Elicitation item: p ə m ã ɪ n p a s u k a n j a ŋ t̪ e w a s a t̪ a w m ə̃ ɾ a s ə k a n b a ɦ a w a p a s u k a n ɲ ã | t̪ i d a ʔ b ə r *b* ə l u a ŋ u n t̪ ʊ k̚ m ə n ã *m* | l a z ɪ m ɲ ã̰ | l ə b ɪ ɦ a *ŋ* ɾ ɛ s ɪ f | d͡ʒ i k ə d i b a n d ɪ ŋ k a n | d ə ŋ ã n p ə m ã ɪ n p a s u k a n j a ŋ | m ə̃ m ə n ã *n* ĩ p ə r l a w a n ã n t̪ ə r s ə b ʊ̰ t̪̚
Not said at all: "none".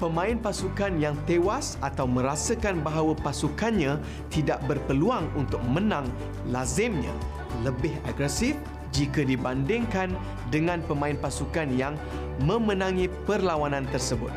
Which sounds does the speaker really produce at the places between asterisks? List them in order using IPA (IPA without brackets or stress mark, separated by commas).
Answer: p, ŋ, ɡ, ŋ